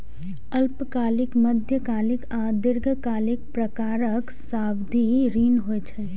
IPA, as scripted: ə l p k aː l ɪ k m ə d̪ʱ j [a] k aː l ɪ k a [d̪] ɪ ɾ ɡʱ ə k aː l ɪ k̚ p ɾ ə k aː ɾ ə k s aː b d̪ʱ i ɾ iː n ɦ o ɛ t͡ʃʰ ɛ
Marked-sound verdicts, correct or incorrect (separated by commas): incorrect, correct